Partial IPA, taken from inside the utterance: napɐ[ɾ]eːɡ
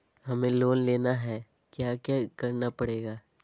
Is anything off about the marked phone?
yes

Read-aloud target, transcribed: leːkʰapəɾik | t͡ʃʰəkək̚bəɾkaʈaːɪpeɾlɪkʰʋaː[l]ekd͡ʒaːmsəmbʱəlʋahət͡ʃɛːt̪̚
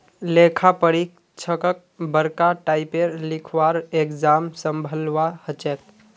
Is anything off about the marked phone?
yes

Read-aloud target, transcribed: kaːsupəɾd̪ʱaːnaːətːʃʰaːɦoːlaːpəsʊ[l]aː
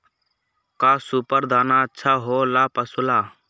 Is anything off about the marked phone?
no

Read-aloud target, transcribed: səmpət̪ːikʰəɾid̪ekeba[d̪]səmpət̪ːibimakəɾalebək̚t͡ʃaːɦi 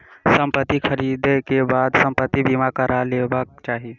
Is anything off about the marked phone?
no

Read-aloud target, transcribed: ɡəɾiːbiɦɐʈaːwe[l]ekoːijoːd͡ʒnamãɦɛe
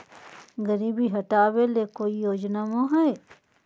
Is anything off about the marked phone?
no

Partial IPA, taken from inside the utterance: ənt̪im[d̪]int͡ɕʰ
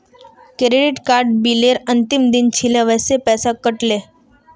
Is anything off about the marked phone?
no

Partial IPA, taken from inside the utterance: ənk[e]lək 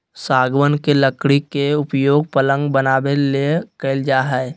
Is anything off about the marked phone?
no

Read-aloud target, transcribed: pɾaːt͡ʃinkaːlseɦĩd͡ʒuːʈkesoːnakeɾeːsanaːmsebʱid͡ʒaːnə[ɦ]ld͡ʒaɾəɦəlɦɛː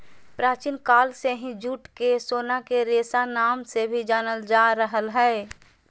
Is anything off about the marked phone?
yes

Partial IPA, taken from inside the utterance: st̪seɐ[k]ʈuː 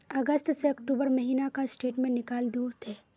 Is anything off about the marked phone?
no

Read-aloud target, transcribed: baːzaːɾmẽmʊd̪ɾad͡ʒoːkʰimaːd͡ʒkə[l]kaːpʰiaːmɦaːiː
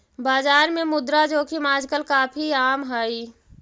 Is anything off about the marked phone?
no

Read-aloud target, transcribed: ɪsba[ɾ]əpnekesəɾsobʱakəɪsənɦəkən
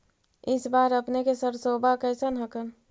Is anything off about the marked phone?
no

